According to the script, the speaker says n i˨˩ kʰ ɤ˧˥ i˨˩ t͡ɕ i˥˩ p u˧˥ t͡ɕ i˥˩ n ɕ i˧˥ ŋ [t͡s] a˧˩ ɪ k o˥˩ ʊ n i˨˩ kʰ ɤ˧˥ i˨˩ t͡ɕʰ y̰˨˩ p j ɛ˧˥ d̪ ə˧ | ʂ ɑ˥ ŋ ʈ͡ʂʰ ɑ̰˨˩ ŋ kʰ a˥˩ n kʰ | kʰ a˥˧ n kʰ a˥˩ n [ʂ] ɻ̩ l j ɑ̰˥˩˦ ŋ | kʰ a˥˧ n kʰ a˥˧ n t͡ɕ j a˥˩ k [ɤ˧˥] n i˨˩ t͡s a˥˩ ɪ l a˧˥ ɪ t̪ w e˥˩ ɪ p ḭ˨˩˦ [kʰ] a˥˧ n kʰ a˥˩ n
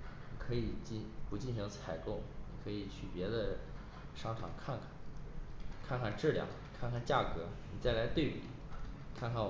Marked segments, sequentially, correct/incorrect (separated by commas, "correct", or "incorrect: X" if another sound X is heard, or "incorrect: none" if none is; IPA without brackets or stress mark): incorrect: t͡sʰ, incorrect: ʈ͡ʂ, correct, correct